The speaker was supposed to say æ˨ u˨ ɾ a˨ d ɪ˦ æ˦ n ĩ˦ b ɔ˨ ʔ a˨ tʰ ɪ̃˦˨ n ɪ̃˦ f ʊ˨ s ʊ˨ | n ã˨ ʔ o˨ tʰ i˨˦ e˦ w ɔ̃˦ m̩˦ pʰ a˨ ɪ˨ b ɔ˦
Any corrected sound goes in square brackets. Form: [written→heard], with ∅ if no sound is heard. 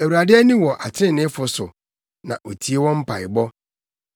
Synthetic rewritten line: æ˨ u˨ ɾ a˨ d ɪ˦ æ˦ n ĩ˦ [b→w] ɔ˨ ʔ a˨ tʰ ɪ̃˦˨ n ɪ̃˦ f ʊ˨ s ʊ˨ | n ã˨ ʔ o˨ tʰ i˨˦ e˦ w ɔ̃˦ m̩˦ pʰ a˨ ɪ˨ b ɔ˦